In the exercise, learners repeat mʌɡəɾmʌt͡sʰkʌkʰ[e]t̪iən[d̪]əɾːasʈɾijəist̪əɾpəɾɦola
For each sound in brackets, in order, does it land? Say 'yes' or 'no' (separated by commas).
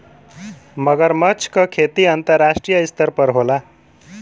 yes, no